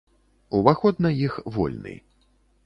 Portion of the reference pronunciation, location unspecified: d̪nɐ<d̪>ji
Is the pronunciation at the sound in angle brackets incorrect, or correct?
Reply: incorrect